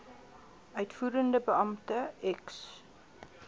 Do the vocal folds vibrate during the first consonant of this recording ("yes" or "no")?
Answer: yes